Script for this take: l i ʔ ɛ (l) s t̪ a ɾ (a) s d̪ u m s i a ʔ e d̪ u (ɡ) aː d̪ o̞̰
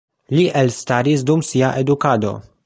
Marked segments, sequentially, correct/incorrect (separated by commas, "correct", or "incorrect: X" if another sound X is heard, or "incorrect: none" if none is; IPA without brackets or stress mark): correct, incorrect: i, incorrect: k